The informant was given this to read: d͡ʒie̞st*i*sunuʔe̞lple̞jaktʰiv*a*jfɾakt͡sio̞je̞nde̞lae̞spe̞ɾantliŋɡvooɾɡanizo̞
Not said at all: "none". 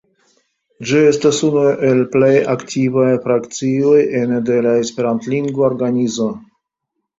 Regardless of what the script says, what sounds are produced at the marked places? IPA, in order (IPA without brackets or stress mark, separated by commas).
a, a